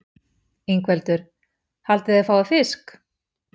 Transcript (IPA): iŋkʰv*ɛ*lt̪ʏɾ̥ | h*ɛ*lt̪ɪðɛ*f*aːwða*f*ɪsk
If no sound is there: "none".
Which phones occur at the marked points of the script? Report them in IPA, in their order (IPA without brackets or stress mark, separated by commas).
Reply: ɛ, a, f, f